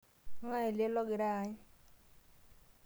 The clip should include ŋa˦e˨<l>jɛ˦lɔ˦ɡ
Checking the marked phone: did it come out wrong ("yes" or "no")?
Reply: no